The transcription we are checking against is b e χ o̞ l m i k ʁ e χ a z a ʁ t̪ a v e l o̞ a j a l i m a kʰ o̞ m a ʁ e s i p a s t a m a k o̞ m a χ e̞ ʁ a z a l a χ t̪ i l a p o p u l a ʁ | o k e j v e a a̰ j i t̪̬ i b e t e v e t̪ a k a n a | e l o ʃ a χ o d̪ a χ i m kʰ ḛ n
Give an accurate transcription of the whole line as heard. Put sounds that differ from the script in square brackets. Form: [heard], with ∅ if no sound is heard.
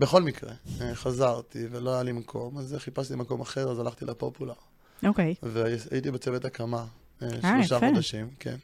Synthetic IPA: b e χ o̞ l m i k ʁ e χ a z a ʁ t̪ [i] v e l o̞ a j a l i m a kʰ o̞ m a [z] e [χ] i p a s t [i] m a k o̞ m a χ e̞ ʁ a z a l a χ t̪ i l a p o p u l a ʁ | o k e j v e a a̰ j i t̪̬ i b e [t͡s] e v e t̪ a k a [m] a | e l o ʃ a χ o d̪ a [ʃ] i m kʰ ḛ n